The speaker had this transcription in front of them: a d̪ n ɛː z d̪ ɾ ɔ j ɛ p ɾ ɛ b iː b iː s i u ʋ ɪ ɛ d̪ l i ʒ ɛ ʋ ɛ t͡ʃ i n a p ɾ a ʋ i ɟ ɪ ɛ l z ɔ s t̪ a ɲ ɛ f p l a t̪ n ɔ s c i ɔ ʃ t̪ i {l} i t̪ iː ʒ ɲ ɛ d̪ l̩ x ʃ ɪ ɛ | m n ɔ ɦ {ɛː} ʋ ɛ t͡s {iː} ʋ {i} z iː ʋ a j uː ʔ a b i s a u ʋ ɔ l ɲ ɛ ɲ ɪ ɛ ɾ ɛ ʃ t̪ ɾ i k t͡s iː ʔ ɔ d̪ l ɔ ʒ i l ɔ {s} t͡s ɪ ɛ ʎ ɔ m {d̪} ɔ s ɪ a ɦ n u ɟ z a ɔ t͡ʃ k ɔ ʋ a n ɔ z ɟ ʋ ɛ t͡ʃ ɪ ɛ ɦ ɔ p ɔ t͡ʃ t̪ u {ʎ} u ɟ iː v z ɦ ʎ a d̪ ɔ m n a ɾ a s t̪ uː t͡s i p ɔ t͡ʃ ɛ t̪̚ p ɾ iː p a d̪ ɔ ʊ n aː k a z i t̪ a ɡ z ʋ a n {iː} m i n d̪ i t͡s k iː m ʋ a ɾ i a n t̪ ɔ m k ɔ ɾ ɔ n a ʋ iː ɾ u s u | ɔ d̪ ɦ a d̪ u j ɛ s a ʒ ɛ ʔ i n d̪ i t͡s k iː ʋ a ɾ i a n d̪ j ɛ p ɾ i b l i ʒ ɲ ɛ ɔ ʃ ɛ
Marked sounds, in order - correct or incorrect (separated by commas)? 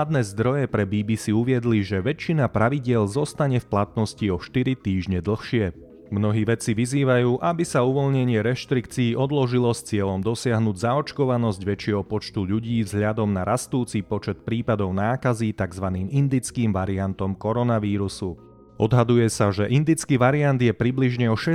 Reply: incorrect, incorrect, incorrect, correct, correct, correct, correct, correct